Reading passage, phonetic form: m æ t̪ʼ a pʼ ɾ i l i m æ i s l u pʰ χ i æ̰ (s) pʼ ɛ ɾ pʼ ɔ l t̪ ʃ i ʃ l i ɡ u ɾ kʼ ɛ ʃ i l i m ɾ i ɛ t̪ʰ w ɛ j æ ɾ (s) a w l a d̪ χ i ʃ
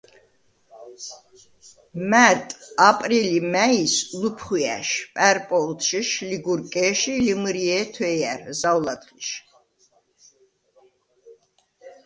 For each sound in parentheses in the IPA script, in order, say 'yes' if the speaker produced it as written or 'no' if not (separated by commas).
no, no